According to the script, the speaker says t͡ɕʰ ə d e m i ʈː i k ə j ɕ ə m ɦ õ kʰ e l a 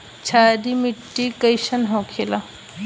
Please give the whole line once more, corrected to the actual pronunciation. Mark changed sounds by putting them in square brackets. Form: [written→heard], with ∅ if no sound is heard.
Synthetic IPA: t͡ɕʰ [ə→a] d [e→i] m i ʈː i k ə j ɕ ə [m→n] ɦ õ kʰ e l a